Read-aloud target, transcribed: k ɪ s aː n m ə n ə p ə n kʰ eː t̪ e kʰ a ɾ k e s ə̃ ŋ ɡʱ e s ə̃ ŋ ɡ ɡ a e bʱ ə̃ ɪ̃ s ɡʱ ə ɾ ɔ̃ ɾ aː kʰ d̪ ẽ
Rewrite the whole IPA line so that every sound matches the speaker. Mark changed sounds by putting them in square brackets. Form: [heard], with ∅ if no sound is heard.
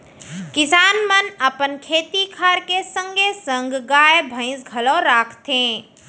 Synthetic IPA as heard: k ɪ s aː n m ə n ə p ə n kʰ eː t̪ [i] kʰ a ɾ k e s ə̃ ŋ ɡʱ e s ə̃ ŋ ɡ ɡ a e bʱ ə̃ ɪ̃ s ɡʱ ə [l] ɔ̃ ɾ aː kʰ [t̪] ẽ